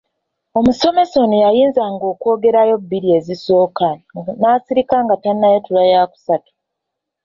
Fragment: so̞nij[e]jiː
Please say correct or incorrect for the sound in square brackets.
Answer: incorrect: a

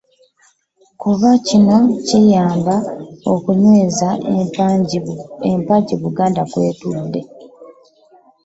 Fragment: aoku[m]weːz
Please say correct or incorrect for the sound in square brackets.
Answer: incorrect: ɲ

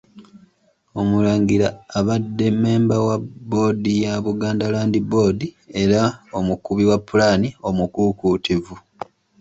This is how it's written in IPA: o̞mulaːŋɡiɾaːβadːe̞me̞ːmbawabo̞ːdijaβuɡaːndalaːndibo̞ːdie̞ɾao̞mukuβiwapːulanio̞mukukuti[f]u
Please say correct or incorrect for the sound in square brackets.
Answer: incorrect: v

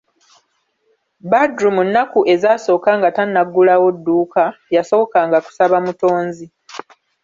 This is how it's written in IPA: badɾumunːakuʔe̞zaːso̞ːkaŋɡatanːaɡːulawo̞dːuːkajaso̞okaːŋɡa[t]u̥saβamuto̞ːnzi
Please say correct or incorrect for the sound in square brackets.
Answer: incorrect: k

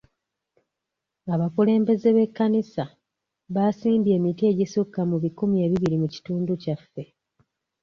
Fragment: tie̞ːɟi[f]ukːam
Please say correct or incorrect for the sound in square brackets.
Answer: incorrect: s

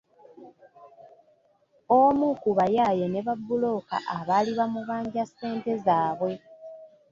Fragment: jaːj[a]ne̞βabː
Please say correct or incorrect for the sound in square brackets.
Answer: incorrect: e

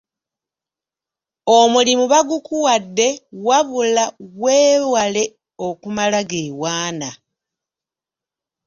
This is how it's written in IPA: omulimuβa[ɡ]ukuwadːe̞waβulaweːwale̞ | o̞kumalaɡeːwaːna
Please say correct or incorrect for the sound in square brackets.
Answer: correct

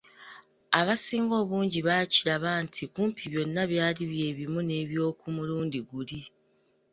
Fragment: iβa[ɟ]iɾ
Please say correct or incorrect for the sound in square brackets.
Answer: incorrect: c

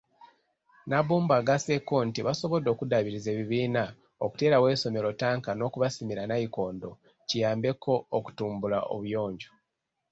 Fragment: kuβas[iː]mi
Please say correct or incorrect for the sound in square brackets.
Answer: incorrect: i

